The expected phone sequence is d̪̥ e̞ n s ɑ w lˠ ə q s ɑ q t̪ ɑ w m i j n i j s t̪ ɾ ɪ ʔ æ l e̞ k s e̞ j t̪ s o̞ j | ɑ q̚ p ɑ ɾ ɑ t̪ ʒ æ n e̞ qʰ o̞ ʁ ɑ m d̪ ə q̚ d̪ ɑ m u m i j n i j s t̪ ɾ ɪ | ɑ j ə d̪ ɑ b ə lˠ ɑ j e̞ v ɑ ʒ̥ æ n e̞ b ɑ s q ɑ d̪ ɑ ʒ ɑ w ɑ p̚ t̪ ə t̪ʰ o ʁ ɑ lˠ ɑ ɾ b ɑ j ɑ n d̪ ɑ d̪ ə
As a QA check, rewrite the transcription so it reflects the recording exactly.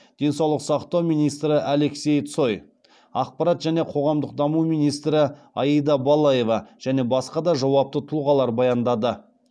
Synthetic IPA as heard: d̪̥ e̞ n s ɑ w lˠ ə q s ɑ q t̪ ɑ w m i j n i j s t̪ ɾ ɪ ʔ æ l e̞ k s e̞ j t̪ s o̞ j | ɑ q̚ p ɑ ɾ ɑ t̪ ʒ æ n e̞ qʰ o̞ ʁ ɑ m d̪ ə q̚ d̪ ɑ m u m i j n i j s t̪ ɾ ɪ | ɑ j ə d̪ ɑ b ɑ lˠ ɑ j e̞ v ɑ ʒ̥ æ n e̞ b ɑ s q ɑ d̪ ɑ ʒ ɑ w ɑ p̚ t̪ ə t̪ʰ u ʁ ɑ lˠ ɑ ɾ b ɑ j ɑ n d̪ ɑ d̪ ə

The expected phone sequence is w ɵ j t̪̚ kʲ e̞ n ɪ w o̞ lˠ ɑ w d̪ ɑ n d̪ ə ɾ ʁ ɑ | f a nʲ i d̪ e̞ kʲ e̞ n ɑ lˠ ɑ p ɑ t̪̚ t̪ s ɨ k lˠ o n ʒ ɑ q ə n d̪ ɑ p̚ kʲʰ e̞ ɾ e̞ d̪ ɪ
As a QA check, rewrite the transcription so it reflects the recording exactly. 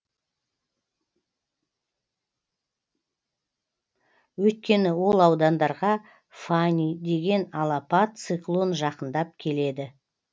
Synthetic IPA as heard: w ɵ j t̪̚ kʲ e̞ n ɪ w o̞ lˠ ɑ w d̪ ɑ n d̪ ɑ ɾ ʁ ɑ | f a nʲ i d̪ e̞ ɡʲ e̞ n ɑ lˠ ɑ p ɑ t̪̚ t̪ s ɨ k lˠ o n ʒ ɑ q ə n d̪ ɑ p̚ kʲʰ e̞ l e̞ d̪ ɪ

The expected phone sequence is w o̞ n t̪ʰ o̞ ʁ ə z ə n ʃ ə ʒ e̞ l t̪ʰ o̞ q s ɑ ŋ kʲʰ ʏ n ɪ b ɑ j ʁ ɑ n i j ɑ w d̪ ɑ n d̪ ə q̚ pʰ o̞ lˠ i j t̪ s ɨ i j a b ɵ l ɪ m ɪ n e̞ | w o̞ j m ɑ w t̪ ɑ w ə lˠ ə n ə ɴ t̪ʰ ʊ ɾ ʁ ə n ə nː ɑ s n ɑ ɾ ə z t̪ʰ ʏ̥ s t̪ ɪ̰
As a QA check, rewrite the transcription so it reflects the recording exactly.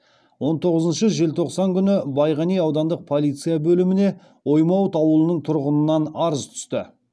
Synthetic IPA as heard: w o̞ n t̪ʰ o̞ ʁ ə z ə n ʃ ə ʒ e̞ l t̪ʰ o̞ q s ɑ ŋ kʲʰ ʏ n ɪ b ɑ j ʁ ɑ n i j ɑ w d̪ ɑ n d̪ ə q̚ pʰ o̞ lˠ i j t̪ s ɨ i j a b ɵ l ɪ m ɪ n e̞ | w o̞ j m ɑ w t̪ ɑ w ə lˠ ə n ə ɴ t̪ʰ ʊ ɾ ʁ ə n ə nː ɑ n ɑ ɾ ə z t̪ʰ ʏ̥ s t̪ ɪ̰

